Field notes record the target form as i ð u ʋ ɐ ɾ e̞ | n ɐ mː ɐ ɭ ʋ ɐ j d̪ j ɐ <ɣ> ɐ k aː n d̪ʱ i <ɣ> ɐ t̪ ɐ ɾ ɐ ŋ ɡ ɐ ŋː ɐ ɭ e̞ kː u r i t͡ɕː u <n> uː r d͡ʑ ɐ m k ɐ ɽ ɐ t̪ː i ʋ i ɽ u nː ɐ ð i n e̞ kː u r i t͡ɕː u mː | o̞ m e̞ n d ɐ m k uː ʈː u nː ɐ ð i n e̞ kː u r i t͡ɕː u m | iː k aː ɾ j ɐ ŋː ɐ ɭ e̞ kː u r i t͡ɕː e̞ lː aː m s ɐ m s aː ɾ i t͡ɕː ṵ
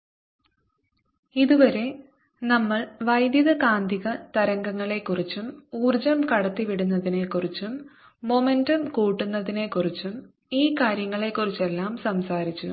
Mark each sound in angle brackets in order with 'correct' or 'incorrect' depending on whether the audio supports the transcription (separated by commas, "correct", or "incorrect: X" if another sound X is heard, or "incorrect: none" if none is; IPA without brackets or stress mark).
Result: incorrect: ð, correct, incorrect: m